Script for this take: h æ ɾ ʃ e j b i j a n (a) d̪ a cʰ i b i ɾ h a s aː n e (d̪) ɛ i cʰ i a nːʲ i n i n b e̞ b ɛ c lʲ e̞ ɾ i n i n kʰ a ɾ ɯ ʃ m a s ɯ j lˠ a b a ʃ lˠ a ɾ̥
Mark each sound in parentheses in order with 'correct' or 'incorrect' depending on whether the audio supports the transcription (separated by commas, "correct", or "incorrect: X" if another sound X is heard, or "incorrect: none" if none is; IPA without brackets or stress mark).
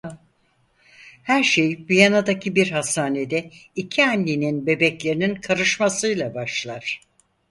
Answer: correct, correct